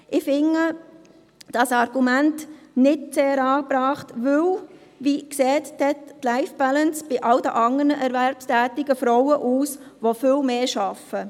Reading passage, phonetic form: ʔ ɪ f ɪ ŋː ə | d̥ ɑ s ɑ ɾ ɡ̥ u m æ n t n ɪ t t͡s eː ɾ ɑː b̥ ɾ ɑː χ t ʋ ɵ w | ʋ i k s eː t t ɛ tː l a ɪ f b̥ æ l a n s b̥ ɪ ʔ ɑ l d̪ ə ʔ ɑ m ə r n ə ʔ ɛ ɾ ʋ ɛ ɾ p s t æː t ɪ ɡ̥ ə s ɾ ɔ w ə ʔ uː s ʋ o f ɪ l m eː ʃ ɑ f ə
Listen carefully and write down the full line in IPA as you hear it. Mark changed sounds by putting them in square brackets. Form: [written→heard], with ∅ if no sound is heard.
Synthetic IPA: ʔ ɪ f ɪ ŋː ə | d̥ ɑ s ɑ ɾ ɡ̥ u m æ n t n ɪ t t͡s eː ɾ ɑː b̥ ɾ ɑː χ t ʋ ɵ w | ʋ i k s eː t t ɛ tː l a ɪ f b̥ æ l [a→ə] n s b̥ ɪ ʔ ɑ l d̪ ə ʔ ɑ [m→ŋ] ə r n ə ʔ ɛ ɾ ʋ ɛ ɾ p s t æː t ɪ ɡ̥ ə [s→f] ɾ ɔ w ə ʔ uː s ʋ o f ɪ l m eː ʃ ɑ f ə

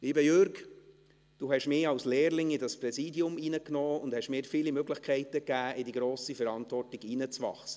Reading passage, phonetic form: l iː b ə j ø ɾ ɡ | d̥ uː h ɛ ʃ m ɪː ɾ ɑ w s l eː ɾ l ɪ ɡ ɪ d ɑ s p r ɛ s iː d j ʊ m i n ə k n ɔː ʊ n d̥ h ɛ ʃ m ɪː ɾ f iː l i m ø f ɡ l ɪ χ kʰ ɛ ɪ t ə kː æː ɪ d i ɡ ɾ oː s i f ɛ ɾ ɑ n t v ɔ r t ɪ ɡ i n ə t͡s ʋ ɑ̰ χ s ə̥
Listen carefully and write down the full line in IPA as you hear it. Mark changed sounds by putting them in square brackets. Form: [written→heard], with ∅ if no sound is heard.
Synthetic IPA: l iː b ə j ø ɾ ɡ | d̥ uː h ɛ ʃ m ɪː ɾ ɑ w s l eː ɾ l ɪ [ɡ→ŋ] ɪ d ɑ s p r ɛ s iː d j ʊ m i n ə k n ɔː ʊ n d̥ h ɛ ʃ m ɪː ɾ f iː l i m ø [f→∅] ɡ l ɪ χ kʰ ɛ ɪ t ə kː æː ɪ d i ɡ ɾ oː s i f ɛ ɾ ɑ n t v ɔ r t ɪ ɡ i n ə t͡s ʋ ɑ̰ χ s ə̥

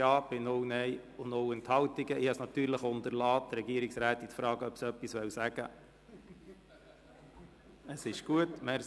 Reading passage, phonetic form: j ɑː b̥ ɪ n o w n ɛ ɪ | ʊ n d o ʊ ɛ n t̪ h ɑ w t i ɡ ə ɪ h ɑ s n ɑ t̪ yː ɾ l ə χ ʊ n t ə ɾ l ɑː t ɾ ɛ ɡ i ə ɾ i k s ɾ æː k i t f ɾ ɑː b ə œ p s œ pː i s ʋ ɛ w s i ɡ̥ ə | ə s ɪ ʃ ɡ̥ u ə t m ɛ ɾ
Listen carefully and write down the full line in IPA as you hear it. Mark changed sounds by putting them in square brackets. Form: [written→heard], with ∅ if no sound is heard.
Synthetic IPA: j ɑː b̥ ɪ n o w n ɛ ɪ | ʊ n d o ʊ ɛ n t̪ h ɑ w t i ɡ ə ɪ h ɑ s n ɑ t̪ yː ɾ l ə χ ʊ n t ə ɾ l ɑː t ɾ ɛ ɡ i ə ɾ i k s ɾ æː [k→t] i t f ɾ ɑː [b→ɡ] ə œ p s œ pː i s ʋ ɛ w s [i→æ] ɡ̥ ə | ə s ɪ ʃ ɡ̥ u ə t m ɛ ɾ

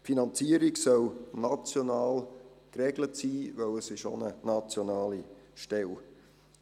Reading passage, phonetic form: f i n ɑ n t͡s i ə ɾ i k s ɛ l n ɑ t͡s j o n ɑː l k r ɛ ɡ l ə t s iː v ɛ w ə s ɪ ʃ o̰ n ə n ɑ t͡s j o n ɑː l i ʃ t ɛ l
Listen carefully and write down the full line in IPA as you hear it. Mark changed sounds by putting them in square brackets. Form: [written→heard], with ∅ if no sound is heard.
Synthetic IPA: f i n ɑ n t͡s i ə ɾ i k s [ɛ→œ] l n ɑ t͡s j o n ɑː l k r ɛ ɡ l ə t s iː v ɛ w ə s ɪ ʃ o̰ n ə n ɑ t͡s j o n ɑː l i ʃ t ɛ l

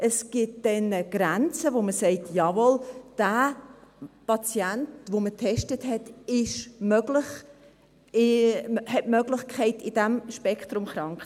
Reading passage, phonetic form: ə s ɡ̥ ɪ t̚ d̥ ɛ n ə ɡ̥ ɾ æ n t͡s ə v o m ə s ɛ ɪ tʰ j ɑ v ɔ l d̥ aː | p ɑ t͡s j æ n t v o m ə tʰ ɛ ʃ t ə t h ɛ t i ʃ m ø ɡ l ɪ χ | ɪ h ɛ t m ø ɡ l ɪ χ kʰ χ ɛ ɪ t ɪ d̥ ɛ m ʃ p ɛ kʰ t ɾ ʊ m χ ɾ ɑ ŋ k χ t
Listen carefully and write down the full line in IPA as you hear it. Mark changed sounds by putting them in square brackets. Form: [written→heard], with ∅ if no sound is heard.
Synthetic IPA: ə s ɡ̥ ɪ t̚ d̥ ɛ n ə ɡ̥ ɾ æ n t͡s ə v o m ə s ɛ ɪ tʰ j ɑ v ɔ l d̥ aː | p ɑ t͡s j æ n t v o m ə tʰ ɛ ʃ t ə t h ɛ t [i→ɪ] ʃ m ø ɡ l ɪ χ | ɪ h ɛ t m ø ɡ l ɪ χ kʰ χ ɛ ɪ t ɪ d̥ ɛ m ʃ p ɛ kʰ t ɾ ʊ m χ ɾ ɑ ŋ k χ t

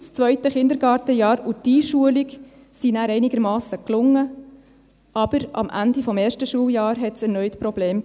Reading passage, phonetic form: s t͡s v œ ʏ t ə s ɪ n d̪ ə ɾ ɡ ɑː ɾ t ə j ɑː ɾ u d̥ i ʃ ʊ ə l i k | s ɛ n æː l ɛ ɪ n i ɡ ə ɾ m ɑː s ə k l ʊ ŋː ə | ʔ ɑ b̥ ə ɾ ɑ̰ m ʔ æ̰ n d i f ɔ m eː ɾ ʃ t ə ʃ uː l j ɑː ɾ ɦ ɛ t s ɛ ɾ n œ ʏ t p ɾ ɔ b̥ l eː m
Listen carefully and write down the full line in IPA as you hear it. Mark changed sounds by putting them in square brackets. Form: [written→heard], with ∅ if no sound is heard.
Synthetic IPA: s t͡s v œ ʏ t ə [s→χ] ɪ n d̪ ə ɾ ɡ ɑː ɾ t ə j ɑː ɾ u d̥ i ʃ [ʊ→u] ə l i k | s [ɛ→i] n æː [l→ɾ] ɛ ɪ n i ɡ ə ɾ m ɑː s ə k l ʊ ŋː ə | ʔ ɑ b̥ ə ɾ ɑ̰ m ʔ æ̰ n d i f ɔ m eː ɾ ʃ t ə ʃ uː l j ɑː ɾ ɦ ɛ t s ɛ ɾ n œ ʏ t p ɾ ɔ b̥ l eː m

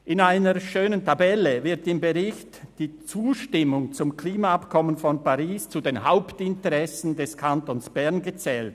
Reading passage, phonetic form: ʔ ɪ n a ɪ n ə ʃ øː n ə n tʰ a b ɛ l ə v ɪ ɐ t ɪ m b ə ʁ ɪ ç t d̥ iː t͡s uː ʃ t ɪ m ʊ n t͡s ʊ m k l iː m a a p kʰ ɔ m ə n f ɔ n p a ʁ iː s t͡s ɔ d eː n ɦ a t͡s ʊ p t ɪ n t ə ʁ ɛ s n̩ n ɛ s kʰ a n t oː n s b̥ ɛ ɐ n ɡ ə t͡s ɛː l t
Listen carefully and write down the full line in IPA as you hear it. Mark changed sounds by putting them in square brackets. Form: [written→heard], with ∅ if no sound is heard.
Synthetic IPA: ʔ ɪ n a ɪ n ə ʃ øː n ə n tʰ a b ɛ l ə v ɪ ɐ t ɪ m b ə ʁ ɪ ç t d̥ iː t͡s uː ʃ t ɪ m ʊ [n→ŋ] t͡s ʊ m k l iː m a a p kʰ ɔ m ə n f ɔ n p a ʁ iː s t͡s [ɔ→u] d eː n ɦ a [t͡s→∅] ʊ p t ɪ n t ə ʁ ɛ s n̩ [n→d] ɛ s kʰ a n t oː n s b̥ ɛ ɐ n ɡ ə t͡s ɛː l t

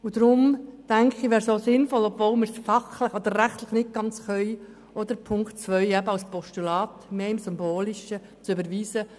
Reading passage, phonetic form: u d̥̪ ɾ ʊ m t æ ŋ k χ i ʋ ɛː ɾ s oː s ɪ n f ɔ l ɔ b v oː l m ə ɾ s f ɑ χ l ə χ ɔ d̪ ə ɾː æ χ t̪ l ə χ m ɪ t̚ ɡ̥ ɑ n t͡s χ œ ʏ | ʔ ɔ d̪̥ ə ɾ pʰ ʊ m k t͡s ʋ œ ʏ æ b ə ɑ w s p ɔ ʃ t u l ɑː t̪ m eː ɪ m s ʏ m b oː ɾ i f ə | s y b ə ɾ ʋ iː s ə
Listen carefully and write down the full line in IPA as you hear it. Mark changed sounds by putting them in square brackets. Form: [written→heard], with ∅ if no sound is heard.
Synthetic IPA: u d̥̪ ɾ ʊ m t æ ŋ k χ i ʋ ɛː ɾ s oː s ɪ n f ɔ l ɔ b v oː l m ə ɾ s f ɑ χ l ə χ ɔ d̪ ə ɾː æ χ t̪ l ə χ [m→n] ɪ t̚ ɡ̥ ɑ n t͡s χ œ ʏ | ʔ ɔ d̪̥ ə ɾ pʰ ʊ [m→ŋ] k t͡s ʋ œ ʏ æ b ə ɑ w s p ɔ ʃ t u l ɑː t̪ m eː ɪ m s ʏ m b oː [ɾ→l] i [f→ʃ] ə | [s→t͡s] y b ə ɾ ʋ iː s ə

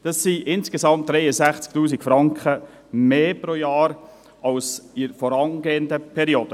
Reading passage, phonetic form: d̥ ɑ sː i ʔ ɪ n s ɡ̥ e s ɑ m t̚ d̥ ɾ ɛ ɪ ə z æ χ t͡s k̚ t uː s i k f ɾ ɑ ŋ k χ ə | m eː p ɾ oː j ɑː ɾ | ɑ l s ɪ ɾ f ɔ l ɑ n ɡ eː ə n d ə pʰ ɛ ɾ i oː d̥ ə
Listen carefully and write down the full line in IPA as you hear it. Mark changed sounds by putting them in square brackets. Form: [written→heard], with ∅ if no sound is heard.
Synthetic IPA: d̥ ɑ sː i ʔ ɪ n s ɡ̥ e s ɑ m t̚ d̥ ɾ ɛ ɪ ə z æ χ t͡s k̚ t uː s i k f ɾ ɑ ŋ k χ ə | m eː p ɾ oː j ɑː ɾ | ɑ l s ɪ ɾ f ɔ [l→ɾ] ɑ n ɡ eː ə n d ə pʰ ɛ ɾ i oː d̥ ə

